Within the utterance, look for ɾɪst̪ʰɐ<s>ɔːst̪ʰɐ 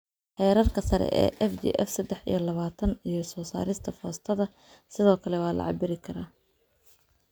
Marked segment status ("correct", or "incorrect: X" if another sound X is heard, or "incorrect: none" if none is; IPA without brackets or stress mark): incorrect: f